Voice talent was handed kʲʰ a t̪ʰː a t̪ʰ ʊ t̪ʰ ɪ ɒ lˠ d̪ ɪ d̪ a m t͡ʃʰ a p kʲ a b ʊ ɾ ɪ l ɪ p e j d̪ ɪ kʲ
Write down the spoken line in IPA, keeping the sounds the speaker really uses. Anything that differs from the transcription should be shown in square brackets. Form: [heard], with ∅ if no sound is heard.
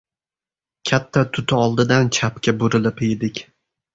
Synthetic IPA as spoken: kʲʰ a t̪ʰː a t̪ʰ ʊ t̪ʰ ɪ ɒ lˠ d̪ ɪ d̪ a [n] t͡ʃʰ a p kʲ a b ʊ ɾ ɪ l ɪ p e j d̪ ɪ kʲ